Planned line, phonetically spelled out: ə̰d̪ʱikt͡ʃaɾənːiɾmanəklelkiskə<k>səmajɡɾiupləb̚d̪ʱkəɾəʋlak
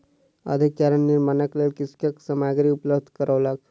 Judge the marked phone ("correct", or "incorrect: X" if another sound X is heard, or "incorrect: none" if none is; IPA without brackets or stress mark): correct